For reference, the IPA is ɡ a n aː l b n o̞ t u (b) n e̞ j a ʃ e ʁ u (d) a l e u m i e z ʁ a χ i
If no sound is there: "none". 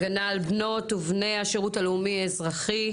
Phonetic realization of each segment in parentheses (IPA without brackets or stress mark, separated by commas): v, t